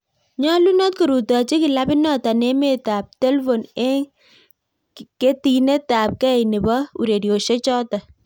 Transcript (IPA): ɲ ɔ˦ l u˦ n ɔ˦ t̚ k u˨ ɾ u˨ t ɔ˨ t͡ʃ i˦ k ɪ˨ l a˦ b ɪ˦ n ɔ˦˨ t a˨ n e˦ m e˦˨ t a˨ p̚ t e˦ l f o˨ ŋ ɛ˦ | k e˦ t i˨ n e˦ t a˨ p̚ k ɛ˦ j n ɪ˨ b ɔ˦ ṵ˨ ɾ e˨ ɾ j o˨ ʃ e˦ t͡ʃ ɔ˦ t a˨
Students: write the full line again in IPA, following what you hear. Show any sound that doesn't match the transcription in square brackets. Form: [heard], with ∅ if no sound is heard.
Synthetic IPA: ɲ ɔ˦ l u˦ n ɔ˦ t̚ k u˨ ɾ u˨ t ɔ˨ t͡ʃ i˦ k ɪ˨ l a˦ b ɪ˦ n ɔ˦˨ t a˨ n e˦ m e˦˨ t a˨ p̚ t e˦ l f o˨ [n] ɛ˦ | k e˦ t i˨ n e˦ t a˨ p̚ k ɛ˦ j n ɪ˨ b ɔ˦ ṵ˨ ɾ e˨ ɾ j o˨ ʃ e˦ t͡ʃ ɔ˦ t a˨